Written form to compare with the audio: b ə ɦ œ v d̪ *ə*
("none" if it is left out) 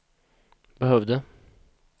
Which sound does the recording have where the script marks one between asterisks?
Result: ə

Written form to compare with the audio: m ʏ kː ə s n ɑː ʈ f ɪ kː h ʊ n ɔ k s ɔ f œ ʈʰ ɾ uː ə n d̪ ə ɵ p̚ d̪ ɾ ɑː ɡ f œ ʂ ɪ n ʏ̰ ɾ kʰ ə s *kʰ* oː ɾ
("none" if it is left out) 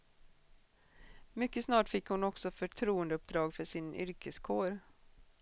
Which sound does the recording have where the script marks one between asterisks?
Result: kʰ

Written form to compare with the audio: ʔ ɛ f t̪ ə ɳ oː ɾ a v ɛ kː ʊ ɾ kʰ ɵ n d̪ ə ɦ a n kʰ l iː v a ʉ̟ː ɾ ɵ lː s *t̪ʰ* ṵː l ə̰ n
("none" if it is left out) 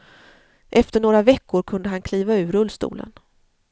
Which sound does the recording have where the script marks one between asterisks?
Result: t̪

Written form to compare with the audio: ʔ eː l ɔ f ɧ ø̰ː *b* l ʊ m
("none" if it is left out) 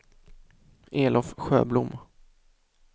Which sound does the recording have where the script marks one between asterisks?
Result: b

